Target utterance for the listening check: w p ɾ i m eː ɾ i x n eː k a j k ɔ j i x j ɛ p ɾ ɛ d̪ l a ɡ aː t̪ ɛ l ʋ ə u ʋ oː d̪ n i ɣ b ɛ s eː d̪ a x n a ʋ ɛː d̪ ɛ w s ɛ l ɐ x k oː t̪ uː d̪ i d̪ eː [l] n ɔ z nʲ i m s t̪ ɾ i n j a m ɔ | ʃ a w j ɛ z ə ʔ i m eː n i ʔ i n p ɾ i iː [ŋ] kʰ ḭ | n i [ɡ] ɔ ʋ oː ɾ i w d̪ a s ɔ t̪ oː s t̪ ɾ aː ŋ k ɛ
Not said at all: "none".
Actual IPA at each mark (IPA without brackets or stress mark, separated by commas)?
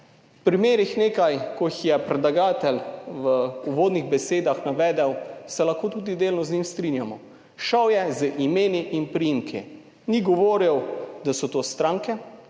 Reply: l, m, ɡ